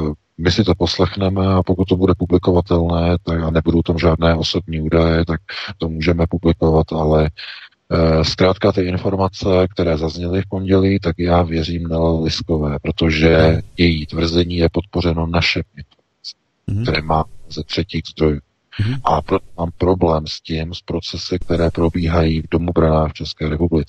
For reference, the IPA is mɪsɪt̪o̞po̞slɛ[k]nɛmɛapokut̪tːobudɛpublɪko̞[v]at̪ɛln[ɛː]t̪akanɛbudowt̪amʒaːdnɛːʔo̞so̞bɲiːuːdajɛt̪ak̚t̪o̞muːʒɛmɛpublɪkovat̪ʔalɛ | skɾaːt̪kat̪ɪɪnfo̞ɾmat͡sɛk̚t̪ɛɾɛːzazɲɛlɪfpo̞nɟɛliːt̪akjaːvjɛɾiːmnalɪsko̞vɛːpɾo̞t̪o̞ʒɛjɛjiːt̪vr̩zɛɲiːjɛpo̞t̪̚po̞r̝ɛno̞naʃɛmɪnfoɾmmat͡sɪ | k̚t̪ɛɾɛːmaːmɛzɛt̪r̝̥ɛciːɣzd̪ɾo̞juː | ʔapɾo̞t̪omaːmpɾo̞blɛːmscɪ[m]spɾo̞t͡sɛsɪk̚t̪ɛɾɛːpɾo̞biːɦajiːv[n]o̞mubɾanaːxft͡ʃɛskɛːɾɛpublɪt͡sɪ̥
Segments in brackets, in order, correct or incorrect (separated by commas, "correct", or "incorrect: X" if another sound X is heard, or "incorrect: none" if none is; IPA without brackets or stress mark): incorrect: x, correct, correct, correct, incorrect: d